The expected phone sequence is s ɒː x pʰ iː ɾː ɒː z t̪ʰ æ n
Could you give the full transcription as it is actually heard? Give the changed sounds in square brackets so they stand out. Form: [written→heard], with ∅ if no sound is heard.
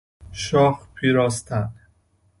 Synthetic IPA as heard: [s→ʃ] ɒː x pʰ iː [ɾː→ɾ] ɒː [z→s] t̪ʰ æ n